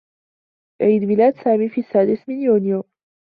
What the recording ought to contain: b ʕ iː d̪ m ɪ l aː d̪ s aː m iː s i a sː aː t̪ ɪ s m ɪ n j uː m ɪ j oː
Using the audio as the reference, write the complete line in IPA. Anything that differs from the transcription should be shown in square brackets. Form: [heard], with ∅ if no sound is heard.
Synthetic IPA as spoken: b ʕ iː d̪ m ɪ l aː d̪ s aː m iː [f] i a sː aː [d̪] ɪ s m ɪ n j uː [n] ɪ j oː